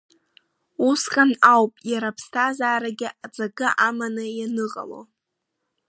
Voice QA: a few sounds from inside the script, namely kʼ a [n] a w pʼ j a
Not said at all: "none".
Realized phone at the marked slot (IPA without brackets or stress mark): n